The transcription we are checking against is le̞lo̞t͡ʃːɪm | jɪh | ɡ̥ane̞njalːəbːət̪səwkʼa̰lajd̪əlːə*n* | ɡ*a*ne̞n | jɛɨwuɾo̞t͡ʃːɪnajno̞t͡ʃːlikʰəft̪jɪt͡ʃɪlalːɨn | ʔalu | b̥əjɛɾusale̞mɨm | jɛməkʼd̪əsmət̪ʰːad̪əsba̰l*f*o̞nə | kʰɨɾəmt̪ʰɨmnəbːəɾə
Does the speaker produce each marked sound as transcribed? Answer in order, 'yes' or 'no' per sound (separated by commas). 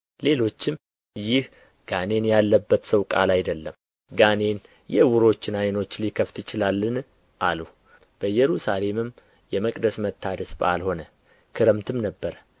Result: no, yes, no